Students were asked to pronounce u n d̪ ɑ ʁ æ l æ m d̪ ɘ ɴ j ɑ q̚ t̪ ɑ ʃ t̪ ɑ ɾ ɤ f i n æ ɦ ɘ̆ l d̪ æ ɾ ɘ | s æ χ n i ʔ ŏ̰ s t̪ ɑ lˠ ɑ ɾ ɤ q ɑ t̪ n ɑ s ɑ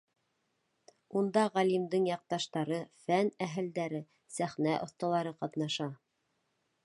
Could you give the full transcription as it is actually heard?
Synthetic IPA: u n d̪ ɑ ʁ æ l i m d̪ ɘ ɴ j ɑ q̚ t̪ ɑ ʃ t̪ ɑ ɾ ɤ f æ n æ ɦ ɘ̆ l d̪ æ ɾ ɘ | s æ χ n æ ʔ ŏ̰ θ t̪ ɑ lˠ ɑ ɾ ɤ q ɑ t̪ n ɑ ʃ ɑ